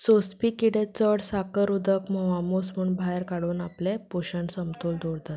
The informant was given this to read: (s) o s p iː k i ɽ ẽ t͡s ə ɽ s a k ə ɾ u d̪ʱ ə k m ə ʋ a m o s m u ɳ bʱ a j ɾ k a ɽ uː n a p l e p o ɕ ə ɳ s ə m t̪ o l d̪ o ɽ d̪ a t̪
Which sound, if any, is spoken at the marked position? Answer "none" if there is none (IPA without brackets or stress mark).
s